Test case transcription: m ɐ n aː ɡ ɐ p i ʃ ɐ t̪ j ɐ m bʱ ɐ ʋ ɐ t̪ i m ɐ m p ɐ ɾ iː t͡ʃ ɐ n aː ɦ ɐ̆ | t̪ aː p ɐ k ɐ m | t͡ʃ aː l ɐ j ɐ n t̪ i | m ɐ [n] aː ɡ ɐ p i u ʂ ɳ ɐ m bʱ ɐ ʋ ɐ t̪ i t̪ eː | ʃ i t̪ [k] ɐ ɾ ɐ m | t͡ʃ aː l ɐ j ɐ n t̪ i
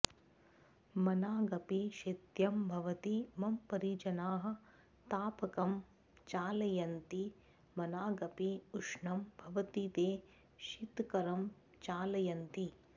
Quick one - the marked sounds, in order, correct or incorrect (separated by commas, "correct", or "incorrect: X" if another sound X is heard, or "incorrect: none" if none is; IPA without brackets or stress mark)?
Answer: correct, correct